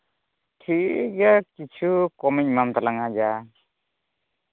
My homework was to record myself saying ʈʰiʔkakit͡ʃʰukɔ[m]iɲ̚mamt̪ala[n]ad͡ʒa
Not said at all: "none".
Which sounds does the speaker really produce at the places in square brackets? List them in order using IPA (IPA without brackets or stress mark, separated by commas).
m, ŋ